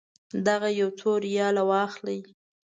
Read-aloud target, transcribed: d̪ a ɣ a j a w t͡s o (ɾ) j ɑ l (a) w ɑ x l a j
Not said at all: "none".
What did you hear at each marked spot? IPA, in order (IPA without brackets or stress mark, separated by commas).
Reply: ɾ, a